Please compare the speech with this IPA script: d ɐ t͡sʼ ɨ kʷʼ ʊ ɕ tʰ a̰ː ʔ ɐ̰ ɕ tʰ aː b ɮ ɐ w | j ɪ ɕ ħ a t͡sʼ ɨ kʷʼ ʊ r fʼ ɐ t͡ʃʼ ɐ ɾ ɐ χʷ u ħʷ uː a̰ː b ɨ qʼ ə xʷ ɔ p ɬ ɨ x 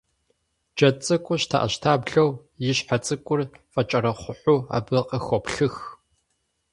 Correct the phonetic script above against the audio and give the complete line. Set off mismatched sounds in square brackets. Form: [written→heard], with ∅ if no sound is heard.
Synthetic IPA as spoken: [d→d͡ʒ] ɐ t͡sʼ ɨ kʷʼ ʊ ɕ tʰ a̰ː ʔ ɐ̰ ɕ tʰ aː b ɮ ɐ w | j ɪ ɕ ħ a t͡sʼ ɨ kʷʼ ʊ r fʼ ɐ t͡ʃʼ ɐ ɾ ɐ χʷ [u→ʊ] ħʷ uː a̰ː b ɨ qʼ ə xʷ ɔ p ɬ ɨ x